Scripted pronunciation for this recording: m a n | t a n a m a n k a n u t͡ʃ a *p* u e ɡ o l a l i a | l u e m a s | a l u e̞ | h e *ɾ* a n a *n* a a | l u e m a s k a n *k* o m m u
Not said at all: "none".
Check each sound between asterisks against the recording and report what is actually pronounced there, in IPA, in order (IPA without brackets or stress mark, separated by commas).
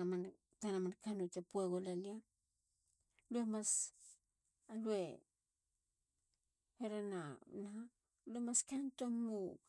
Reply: p, ɾ, n, t